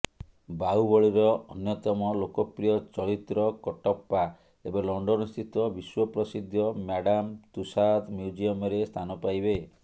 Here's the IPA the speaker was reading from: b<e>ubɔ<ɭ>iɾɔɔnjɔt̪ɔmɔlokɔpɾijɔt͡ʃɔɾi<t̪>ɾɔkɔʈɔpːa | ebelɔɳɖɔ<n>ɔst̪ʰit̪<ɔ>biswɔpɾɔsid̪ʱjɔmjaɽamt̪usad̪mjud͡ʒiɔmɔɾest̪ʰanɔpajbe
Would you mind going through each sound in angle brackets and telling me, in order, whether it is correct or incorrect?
incorrect: a, correct, correct, correct, correct

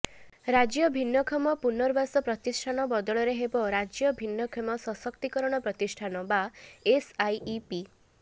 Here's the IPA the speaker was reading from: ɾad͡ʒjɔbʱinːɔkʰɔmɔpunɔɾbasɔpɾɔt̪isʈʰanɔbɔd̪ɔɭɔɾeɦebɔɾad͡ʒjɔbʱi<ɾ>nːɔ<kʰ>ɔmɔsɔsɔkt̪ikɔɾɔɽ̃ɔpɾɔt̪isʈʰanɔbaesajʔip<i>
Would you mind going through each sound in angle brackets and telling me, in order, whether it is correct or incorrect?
incorrect: none, correct, correct

